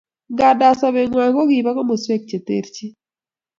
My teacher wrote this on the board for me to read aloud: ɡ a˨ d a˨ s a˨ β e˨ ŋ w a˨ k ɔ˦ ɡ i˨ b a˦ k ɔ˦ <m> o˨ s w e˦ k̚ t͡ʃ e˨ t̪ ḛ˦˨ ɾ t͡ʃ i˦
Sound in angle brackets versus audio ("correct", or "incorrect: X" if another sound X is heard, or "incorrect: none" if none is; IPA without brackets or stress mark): correct